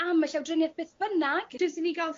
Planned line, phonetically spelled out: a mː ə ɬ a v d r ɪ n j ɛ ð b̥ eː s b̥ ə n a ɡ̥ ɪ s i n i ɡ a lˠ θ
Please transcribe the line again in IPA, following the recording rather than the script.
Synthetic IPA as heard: a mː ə ɬ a w d r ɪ n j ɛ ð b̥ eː θ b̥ ə n a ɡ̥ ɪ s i n i ɡ a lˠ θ